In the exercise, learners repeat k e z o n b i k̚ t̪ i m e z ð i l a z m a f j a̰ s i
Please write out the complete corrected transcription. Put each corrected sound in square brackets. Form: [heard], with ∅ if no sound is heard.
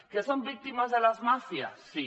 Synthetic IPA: k e [s] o [m] b i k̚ t̪ i m [a] z ð [e] l a z m a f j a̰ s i

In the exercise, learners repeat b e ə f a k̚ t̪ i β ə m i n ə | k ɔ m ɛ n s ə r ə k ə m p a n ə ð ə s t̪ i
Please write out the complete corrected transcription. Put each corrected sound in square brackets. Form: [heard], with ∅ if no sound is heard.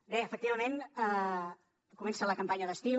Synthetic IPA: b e ə f [ə] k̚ t̪ i β ə m [e] n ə | k [u] m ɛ n s ə [l] ə k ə m p a [ɲ] ə ð ə s t̪ i

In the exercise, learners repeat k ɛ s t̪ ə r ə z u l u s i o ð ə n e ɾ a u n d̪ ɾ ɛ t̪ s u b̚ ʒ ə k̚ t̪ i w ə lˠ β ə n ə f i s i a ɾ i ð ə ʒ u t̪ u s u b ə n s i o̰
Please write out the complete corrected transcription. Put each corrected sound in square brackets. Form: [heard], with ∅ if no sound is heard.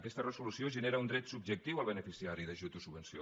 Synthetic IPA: k ɛ s t̪ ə r ə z u l u s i o [ʒ] ə n e ɾ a u n d̪ ɾ ɛ t̪ s u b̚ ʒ ə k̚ t̪ i w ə lˠ β ə n ə f i s i a ɾ i ð ə ʒ u t̪ u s u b ə n s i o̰

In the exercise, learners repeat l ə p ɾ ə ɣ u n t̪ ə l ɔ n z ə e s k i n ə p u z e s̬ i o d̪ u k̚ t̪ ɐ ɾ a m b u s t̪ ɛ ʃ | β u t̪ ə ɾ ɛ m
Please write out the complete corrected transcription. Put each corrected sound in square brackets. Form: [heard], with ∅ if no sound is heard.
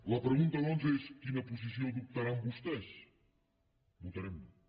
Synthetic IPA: l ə p ɾ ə ɣ u n t̪ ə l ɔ n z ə e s k i n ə p u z [i] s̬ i o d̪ u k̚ t̪ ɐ ɾ a m b u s t̪ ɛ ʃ | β u t̪ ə ɾ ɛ m

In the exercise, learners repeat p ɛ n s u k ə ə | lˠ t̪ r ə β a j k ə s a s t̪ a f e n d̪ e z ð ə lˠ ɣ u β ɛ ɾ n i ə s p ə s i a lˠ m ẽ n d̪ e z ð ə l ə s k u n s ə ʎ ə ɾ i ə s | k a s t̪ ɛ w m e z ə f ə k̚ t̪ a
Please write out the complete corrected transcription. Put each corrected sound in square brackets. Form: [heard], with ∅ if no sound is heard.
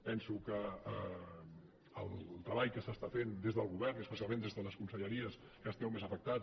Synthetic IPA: p ɛ n s u k ə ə | lˠ t̪ [ɾ] ə β a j k ə s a s t̪ a f e n d̪ e z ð ə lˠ ɣ u β ɛ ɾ n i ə s p ə s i a lˠ m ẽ n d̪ e z ð ə l ə s k u n s ə ʎ ə ɾ i ə s | k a s t̪ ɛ w m e z ə f ə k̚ t̪ a

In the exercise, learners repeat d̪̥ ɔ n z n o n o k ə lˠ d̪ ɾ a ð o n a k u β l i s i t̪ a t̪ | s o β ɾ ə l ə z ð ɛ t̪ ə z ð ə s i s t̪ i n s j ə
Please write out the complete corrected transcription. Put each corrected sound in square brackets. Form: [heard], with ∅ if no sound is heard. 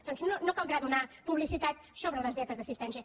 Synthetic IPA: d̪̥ ɔ n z n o n o k [a] lˠ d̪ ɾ a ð [u] n a [p] u β l i s i t̪ a t̪ | s o β ɾ ə l ə z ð ɛ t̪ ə z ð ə s i s t̪ [ɛ] n s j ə

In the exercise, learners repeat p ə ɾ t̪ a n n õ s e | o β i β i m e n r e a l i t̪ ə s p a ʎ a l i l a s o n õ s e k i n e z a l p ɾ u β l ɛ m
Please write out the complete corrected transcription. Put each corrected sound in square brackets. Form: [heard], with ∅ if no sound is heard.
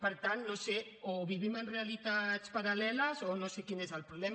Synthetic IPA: p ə ɾ t̪ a n n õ s e | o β i β i m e n r e a l i t̪ [a] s p a [ɾ] a l [ɛ] l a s o n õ s e k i n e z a l p ɾ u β l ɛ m

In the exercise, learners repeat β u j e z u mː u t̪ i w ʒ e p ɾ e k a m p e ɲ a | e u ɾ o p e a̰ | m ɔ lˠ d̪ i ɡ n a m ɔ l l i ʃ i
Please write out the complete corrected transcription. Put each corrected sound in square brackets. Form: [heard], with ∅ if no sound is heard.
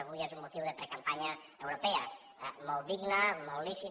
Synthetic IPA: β u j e z u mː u t̪ i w [ð] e p ɾ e k a m p [a] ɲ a | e [w] ɾ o p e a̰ | m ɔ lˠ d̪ i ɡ n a m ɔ l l i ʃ i

